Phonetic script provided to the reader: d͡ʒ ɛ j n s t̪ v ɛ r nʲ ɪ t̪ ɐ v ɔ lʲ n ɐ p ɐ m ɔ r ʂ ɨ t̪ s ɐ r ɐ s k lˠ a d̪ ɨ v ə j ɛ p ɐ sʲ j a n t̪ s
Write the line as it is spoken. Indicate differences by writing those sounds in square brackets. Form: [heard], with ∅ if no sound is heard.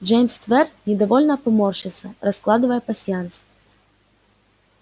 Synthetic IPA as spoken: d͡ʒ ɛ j [m] s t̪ v ɛ r nʲ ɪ [d̪] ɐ v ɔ lʲ n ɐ p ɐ m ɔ r ʂ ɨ t̪ s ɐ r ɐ s k lˠ a d̪ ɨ v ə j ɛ p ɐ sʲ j a n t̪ s

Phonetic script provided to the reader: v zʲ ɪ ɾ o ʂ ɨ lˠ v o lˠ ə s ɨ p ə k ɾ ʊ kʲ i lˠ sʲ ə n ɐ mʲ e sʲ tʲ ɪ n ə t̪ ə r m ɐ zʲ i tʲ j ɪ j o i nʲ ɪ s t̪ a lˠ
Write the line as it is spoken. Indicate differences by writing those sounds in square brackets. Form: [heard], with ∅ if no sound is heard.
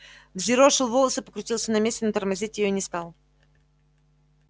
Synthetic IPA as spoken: v zʲ ɪ ɾ o ʂ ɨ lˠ v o lˠ ə s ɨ p ə k ɾ ʊ [tʲ] i lˠ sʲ ə n ɐ mʲ e sʲ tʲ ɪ n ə t̪ ə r m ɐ zʲ i tʲ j ɪ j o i nʲ ɪ s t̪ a lˠ

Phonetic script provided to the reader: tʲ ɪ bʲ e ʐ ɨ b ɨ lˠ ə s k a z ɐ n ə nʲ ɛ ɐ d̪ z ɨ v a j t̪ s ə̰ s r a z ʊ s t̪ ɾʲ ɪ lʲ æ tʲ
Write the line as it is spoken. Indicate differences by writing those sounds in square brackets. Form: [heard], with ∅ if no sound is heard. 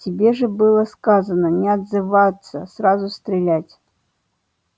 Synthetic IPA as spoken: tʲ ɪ bʲ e ʐ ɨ b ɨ lˠ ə s k a z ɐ n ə nʲ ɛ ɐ d̪ z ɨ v a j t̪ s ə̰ s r a z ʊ s t̪ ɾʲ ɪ lʲ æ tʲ

